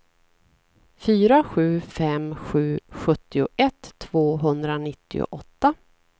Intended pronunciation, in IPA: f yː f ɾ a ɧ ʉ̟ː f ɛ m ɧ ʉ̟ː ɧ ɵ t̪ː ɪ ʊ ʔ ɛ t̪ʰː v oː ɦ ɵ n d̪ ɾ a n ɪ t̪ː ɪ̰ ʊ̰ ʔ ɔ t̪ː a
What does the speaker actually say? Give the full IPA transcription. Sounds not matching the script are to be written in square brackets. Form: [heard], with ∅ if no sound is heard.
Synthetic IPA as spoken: f yː [∅] ɾ a ɧ ʉ̟ː f ɛ m ɧ ʉ̟ː ɧ ɵ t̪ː ɪ ʊ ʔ ɛ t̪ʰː v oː ɦ ɵ n d̪ ɾ a n ɪ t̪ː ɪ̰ ʊ̰ ʔ ɔ t̪ː a